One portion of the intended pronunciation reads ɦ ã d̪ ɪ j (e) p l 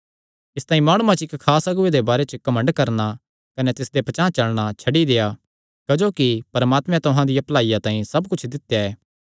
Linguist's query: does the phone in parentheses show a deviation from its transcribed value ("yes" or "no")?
yes